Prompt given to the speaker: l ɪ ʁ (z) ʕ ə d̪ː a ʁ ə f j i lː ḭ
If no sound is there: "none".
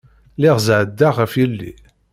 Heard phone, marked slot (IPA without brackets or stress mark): z